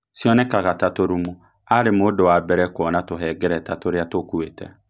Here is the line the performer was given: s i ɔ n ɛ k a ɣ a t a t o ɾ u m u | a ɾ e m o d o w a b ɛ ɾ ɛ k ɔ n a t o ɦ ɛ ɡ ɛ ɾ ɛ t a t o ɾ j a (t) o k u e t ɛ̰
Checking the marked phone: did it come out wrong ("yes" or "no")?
no